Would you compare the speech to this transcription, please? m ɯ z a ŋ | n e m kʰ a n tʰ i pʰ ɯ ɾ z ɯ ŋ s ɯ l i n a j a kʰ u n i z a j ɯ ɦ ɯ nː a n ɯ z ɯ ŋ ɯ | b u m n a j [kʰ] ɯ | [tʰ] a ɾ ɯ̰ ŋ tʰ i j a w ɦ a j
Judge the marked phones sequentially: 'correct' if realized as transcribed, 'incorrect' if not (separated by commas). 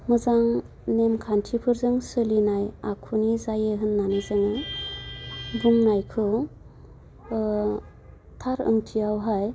correct, correct